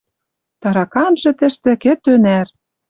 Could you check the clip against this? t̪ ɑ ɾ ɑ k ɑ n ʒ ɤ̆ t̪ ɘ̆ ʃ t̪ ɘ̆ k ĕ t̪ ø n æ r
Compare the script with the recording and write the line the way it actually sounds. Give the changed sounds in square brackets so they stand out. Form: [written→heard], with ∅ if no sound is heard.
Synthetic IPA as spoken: t̪ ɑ ɾ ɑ k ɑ n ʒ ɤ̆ t̪ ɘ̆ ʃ t̪ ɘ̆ k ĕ t̪ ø n æ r